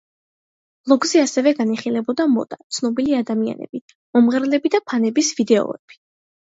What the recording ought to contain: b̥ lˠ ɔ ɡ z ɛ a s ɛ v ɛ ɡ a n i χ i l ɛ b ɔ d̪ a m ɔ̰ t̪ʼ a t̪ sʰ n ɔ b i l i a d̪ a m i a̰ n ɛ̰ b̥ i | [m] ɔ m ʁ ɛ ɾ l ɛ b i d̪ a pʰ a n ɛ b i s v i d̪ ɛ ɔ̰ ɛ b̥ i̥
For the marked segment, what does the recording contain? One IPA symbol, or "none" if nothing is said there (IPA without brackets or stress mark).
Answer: m